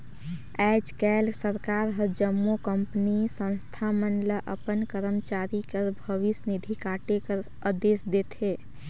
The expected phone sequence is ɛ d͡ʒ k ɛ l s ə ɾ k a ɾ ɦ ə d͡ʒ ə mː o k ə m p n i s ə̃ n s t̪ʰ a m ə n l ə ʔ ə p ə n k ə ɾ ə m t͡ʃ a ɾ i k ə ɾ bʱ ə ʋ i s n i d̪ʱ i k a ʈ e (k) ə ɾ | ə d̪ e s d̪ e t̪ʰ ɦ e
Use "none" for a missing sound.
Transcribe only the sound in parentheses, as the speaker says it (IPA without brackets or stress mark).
k